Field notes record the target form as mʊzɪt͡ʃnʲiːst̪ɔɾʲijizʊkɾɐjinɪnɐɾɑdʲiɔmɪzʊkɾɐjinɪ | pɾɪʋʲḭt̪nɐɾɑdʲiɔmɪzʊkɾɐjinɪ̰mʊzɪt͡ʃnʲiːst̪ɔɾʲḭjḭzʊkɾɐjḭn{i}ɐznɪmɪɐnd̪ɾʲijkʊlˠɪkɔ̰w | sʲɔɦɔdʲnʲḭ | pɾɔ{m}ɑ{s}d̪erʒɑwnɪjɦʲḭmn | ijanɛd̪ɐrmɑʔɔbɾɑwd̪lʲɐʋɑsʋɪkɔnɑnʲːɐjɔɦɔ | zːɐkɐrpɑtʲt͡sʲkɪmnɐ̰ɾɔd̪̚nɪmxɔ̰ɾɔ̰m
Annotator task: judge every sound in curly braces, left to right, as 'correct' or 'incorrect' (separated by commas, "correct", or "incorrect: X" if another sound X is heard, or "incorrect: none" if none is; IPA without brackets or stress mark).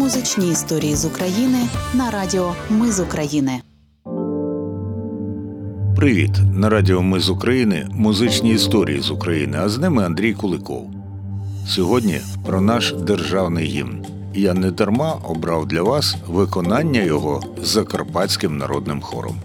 incorrect: ɪ, incorrect: n, incorrect: ʃ